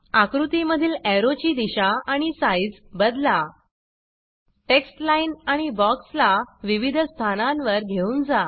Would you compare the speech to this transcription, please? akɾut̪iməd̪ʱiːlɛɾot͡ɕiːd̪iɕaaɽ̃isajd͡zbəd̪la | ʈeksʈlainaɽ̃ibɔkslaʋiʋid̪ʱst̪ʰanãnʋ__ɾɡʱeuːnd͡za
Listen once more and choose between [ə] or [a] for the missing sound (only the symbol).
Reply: ə